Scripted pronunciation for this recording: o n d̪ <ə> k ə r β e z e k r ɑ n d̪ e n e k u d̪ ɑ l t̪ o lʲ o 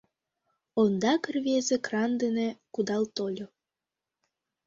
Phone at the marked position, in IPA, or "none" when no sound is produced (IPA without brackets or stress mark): ɑ